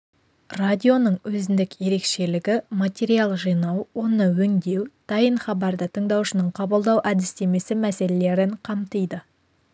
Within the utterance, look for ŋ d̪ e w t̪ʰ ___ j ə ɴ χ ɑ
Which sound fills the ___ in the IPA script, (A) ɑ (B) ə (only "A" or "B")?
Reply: A